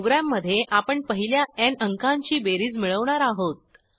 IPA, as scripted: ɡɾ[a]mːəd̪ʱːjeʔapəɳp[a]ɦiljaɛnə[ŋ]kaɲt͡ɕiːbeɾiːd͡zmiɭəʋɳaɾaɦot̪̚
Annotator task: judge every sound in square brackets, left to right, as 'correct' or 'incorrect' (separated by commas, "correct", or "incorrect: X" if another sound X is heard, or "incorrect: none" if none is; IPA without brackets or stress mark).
correct, incorrect: ə, correct